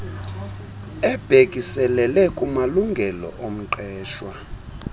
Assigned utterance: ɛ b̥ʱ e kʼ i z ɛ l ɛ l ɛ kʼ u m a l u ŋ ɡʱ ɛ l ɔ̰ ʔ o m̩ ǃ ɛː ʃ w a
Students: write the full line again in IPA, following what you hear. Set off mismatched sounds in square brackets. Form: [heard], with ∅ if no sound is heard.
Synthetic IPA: ɛ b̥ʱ e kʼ i [s] ɛ l ɛ l ɛ kʼ u m a l u ŋ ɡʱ ɛ l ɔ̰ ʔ o m̩ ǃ ɛː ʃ w a

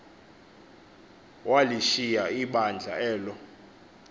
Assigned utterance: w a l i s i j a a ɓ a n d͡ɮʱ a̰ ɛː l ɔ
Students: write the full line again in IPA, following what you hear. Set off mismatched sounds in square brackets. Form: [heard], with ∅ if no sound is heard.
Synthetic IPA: w a l i [ʃ] i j a [i] ɓ a n d͡ɮʱ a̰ ɛː l ɔ

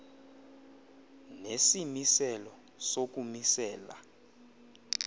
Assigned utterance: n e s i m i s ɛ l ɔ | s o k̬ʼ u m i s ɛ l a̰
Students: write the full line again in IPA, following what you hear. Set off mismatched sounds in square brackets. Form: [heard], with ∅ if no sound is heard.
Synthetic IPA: n e s i m i s ɛ l ɔ | s o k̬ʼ u m i s [ɛː] l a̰

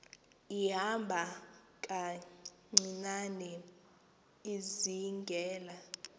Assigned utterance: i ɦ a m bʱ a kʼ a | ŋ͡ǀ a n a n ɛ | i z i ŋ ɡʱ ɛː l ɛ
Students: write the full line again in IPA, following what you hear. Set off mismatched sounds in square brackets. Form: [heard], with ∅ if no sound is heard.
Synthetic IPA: i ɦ a m bʱ a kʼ a | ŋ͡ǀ [i] n a n ɛ | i z i ŋ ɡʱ ɛː l [a]

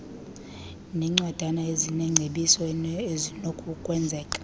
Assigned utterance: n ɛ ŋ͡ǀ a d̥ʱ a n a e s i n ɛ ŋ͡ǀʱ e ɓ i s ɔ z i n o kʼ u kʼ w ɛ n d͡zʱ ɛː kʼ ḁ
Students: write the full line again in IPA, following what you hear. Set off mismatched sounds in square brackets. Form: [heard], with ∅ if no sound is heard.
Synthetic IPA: n ɛ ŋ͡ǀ a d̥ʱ a n a e [z] i n ɛ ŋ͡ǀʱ e ɓ i s ɔ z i n o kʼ u kʼ w ɛ n d͡zʱ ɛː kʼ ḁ

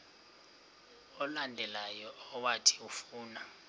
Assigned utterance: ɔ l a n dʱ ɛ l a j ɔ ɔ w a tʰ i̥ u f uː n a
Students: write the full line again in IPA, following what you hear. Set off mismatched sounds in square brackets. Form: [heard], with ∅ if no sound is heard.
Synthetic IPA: ɔ l a n dʱ ɛ l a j ɔ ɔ w a tʰ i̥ u f uː n a

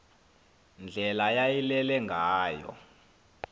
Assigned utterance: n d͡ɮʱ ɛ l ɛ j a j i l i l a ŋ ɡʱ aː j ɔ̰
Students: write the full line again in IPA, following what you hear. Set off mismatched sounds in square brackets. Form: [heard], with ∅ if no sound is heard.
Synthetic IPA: n d͡ɮʱ ɛ l [a] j a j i l [ɛ] l [ɛ] ŋ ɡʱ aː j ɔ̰

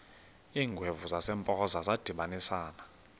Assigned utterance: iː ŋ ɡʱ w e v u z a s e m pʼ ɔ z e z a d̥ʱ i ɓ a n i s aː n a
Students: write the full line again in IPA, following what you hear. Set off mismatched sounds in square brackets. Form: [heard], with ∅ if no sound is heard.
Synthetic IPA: iː ŋ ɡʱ w e v u z a s [ɛ] m pʼ ɔ z [a] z a d̥ʱ i ɓ a n i s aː n a

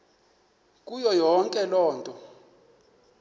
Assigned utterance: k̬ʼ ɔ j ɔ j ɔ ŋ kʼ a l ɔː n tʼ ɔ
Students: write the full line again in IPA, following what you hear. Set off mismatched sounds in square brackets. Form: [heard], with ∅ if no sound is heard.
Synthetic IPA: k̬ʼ [u] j ɔ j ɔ ŋ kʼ [ɛ] l ɔː n tʼ ɔ

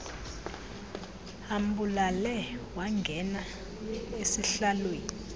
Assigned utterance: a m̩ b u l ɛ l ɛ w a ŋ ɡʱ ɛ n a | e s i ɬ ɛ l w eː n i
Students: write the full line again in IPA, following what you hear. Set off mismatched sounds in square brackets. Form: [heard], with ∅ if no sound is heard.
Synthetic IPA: a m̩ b u l [a] l ɛ w a ŋ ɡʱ ɛ n a | e s i ɬ [a] l w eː n i

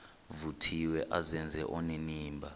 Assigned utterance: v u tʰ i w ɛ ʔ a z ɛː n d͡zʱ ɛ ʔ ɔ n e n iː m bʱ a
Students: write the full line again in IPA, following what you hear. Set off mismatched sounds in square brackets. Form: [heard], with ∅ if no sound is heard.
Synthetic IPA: v u tʰ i w ɛ ʔ a z [ɛ] n d͡zʱ ɛ ʔ ɔ n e n iː m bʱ a

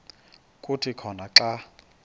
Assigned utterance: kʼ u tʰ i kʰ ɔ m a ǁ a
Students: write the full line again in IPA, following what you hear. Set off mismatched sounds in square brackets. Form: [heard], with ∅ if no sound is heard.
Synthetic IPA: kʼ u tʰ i kʰ ɔ [n] a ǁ a

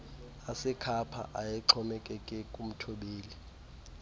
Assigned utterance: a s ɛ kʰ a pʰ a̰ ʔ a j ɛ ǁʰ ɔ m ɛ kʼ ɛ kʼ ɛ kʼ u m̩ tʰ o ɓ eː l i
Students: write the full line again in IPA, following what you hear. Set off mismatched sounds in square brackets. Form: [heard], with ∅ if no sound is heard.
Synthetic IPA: a s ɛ kʰ a pʰ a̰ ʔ a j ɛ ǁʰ ɔ m ɛ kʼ ɛ kʼ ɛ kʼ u m̩ tʰ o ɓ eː l i

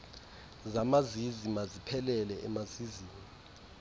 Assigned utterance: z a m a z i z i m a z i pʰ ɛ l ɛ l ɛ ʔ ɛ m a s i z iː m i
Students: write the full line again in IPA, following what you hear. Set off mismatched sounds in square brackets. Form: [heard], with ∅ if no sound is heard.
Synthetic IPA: z a m a z i z i m a z i pʰ ɛ l ɛ l ɛ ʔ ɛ m a [z] i z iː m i

